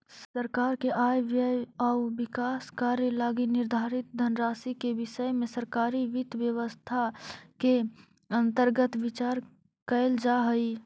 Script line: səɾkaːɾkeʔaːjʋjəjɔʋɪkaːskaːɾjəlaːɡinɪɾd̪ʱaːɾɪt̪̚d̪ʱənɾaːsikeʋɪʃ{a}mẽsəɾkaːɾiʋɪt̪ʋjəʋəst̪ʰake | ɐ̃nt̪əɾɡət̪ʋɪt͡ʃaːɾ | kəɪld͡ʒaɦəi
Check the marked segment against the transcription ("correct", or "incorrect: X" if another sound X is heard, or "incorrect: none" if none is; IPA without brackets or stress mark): incorrect: ə